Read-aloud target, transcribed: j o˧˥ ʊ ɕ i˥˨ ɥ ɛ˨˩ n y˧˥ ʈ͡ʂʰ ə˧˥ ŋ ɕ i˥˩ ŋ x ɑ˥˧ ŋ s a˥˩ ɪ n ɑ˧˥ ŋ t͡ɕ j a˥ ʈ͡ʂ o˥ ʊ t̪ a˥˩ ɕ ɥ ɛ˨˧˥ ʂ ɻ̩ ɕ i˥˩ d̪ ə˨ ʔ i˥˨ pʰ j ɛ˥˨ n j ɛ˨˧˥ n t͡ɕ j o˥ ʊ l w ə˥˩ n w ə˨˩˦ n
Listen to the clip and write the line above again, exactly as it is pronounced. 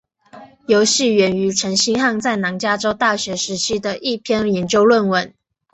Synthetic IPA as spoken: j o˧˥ ʊ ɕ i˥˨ ɥ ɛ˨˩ n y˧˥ ʈ͡ʂʰ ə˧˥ ŋ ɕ i˥ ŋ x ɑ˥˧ ŋ t͡s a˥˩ ɪ n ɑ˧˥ ŋ t͡ɕ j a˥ ʈ͡ʂ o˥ ʊ t̪ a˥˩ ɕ ɥ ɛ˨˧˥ ʂ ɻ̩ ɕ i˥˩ d̪ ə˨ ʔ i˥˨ pʰ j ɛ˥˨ n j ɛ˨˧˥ n t͡ɕ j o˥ ʊ l w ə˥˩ n w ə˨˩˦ n